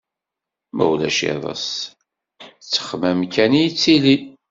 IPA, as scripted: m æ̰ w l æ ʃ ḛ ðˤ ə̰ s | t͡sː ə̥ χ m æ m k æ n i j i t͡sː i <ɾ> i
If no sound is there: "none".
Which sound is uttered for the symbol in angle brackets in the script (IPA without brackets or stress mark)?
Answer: l